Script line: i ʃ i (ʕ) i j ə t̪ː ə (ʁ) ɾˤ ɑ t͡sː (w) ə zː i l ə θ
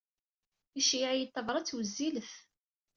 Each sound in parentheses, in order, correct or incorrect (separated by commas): correct, incorrect, correct